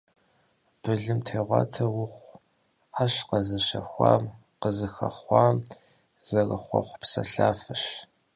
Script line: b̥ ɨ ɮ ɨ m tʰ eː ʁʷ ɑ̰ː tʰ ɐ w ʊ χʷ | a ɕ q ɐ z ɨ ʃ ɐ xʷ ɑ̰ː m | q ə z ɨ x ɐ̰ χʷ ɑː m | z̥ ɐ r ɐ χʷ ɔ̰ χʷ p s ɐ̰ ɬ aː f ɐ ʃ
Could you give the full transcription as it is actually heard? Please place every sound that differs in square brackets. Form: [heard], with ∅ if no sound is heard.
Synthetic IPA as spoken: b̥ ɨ ɮ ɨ m tʰ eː ʁʷ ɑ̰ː tʰ ɐ w ʊ χʷ | a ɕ q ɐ z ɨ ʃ ɐ xʷ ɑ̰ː m | q ə z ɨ x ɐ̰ χʷ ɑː m | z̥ ɐ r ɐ χʷ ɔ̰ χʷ p s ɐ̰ ɬ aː f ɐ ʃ